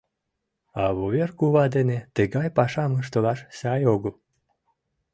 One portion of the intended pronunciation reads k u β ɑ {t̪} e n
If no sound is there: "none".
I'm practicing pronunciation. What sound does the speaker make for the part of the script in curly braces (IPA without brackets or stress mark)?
d̪